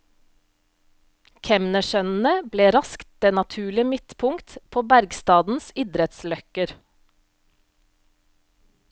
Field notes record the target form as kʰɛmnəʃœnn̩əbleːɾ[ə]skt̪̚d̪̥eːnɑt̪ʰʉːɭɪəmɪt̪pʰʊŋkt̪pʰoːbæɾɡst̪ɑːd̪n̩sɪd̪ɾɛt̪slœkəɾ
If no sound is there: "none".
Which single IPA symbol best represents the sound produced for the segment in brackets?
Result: ɑ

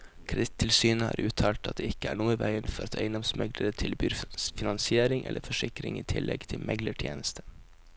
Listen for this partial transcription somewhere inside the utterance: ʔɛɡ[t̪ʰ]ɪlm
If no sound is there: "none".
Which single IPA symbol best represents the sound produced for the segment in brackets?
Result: t̪ʰ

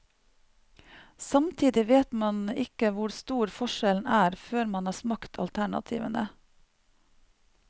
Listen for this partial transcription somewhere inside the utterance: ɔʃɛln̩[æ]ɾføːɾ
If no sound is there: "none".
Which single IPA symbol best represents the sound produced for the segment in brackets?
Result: æː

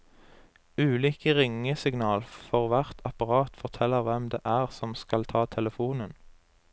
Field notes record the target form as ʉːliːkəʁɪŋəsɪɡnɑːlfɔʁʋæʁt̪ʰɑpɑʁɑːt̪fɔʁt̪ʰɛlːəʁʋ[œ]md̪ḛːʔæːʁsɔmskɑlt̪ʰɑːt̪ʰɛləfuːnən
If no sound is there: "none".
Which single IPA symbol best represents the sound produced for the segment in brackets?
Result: ɛ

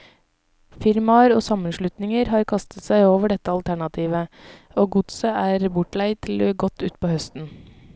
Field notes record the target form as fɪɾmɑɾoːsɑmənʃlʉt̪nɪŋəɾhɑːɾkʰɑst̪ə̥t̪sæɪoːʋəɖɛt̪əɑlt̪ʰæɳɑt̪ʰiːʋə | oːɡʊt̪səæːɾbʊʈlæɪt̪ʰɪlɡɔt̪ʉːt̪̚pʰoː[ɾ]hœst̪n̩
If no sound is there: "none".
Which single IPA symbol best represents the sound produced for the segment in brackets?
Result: none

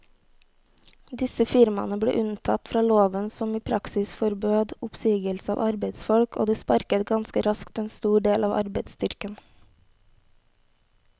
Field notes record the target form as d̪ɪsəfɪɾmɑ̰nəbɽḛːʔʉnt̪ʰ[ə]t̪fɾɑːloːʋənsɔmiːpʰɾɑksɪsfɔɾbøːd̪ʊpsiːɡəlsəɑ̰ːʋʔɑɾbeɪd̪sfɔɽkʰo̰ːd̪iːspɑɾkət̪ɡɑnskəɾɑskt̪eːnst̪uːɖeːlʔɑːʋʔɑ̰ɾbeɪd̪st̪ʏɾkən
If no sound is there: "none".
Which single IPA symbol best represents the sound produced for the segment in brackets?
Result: ɑ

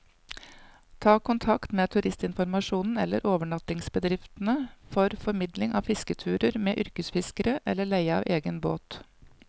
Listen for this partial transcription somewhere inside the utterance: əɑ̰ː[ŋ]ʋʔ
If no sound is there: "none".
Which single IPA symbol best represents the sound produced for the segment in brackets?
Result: none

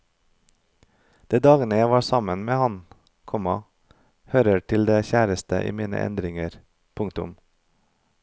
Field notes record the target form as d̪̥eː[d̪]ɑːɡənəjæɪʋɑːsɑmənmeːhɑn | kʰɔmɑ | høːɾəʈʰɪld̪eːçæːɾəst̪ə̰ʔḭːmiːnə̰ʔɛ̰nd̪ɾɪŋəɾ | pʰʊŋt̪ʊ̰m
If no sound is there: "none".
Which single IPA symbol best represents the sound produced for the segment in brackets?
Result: d̪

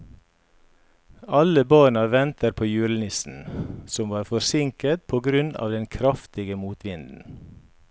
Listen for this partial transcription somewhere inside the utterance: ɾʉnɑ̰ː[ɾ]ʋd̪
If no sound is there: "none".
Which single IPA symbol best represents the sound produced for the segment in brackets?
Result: none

